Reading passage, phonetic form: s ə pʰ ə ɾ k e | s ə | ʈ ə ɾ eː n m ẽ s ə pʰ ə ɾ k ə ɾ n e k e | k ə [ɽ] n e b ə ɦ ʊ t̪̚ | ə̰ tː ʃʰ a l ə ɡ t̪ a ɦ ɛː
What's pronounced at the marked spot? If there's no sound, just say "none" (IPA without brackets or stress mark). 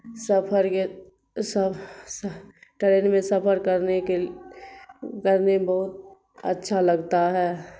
ɾ